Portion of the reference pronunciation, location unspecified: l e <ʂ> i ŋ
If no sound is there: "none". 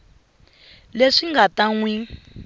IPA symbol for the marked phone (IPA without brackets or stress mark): ʂ